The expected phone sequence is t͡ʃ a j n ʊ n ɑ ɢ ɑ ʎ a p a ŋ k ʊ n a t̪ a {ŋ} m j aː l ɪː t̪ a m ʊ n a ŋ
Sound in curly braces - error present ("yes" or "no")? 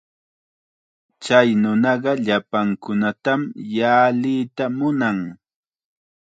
yes